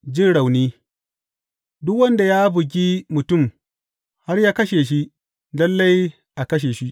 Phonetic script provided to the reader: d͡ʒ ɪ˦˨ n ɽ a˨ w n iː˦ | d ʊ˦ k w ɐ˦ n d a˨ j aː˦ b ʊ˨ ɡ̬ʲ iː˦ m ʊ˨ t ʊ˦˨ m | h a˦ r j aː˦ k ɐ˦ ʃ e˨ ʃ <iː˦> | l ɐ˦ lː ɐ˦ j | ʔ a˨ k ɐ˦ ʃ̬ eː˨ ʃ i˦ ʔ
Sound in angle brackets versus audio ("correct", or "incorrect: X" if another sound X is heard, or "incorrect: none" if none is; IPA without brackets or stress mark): incorrect: i˦